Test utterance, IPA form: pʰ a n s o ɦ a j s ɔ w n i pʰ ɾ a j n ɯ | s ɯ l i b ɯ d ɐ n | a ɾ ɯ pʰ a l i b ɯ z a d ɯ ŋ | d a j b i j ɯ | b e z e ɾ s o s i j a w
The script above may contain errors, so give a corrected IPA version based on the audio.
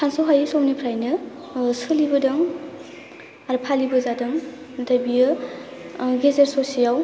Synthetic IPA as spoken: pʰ a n s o ɦ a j s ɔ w n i pʰ ɾ a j n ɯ | s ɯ l i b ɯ d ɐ ŋ | a ɾ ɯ pʰ a l i b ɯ z a d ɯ ŋ | d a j b i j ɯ | ɡ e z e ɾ s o s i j a w